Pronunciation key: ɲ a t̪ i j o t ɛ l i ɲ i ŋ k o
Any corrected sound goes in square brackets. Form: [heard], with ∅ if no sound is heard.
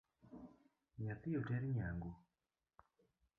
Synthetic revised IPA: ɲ a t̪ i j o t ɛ [ɾ] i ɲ [a] ŋ [ɡ] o